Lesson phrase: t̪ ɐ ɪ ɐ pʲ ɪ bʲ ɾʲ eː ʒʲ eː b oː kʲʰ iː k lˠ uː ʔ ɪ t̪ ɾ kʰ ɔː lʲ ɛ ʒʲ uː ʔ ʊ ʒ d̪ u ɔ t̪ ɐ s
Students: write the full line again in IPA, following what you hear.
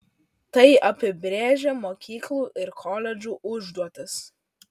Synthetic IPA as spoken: t̪ ɐ ɪ ɐ pʲ ɪ bʲ ɾʲ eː ʒʲ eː m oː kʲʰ iː k lˠ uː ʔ ɪ ɾ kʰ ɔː lʲ ɛ d͡ʒʲ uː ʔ ʊ ʒ d̪ u ɔ t̪ ɐ s